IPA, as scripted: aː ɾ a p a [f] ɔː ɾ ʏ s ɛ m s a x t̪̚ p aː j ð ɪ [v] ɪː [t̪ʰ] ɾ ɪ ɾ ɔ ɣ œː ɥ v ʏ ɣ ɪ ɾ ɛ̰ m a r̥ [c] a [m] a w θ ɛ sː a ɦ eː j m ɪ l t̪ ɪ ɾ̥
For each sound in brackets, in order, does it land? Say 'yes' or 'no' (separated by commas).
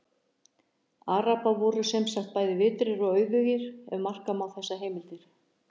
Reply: no, yes, no, no, yes